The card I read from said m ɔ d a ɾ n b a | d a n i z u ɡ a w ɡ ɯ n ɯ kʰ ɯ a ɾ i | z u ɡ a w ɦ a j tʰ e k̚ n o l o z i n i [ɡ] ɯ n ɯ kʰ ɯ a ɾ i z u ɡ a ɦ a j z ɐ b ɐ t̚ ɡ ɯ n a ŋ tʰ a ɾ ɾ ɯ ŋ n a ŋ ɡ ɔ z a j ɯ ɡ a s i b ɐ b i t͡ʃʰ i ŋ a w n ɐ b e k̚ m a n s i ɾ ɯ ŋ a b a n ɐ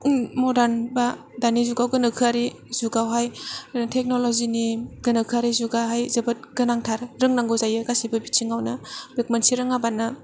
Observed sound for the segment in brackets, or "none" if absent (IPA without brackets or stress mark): ɡ